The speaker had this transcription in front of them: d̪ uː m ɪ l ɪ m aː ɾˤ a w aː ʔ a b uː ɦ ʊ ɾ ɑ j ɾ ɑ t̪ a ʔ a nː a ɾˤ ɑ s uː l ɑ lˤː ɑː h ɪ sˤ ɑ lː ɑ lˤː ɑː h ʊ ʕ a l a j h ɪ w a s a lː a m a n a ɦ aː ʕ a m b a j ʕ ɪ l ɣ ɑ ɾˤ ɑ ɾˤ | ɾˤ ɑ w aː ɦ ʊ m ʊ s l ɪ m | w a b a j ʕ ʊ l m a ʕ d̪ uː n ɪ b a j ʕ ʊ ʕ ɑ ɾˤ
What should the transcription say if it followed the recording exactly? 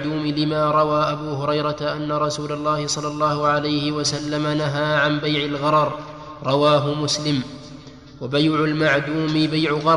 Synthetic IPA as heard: d̪ uː m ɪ l ɪ m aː ɾˤ ɑ w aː ʔ a b uː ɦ ʊ ɾ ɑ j ɾ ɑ t̪ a ʔ a nː a ɾˤ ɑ s uː l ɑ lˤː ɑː h ɪ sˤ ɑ lː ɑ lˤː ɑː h ʊ ʕ a l a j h ɪ w a s a lː a m a n a ɦ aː ʕ a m b a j ʕ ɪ l ɣ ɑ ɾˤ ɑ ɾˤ | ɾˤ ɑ w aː ɦ ʊ m ʊ s l ɪ m | w a b a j ʕ ʊ l m a ʕ d̪ uː m ɪ b a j ʕ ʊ ɣ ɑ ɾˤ